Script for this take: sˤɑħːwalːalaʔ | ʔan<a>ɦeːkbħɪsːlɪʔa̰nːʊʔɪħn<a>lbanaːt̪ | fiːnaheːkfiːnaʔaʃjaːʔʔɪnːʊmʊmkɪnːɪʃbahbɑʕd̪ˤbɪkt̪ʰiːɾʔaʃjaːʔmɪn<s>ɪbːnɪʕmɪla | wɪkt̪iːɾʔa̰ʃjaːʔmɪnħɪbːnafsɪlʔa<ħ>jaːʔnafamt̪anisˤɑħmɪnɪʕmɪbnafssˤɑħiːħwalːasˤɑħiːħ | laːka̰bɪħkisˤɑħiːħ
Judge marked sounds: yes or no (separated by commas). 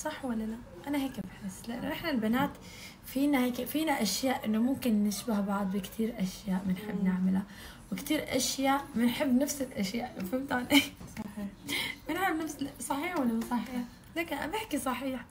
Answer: yes, yes, no, no